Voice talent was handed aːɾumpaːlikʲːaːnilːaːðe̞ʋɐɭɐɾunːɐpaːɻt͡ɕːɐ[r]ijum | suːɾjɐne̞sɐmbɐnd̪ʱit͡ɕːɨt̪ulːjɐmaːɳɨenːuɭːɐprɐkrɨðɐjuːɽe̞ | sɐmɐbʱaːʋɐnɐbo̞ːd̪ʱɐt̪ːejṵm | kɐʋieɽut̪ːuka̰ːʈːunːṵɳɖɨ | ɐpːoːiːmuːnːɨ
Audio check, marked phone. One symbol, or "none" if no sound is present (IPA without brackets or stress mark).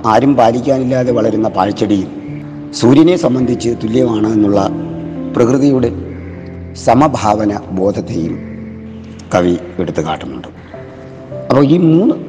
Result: ɽ